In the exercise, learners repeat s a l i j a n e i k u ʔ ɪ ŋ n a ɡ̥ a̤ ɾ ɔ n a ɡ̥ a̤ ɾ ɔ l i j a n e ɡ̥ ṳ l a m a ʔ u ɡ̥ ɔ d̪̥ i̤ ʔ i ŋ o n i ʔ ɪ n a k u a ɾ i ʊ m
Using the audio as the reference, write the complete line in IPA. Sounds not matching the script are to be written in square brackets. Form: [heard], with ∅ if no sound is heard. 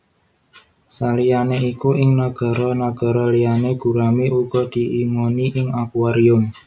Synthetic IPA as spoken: s a l i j a n e i k u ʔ ɪ ŋ n a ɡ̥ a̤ ɾ ɔ n a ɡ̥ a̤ ɾ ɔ l i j a n e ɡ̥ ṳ [ɾ] a m [i] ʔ u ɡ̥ ɔ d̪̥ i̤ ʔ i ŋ o n i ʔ ɪ [ŋ] a k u a ɾ i ʊ m